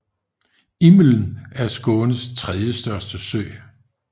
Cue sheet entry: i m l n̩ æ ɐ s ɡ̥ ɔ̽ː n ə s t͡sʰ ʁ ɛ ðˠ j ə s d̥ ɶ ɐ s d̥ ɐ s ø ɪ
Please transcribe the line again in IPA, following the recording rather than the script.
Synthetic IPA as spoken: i m l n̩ æ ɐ s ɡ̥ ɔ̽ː n ə s t͡sʰ ʁ ɛ ðˠ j ə s d̥ ɶ ɐ s d̥ ə s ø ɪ